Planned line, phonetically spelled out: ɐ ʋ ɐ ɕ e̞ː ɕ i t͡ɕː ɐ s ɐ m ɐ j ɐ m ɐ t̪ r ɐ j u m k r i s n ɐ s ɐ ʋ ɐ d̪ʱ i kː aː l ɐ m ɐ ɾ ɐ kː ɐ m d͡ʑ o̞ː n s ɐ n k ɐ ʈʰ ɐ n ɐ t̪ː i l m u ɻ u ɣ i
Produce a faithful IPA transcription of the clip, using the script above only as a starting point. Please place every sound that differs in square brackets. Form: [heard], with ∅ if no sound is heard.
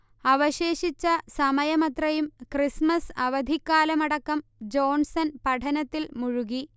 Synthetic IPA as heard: ɐ ʋ ɐ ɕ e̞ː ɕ i t͡ɕː ɐ s ɐ m ɐ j ɐ m ɐ t̪ r ɐ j u m k r i s [m] ɐ s ɐ ʋ ɐ d̪ʱ i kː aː l ɐ m ɐ [ɽ] ɐ kː ɐ m d͡ʑ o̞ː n s ɐ n [p] ɐ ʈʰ ɐ n ɐ t̪ː i l m u ɻ u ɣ i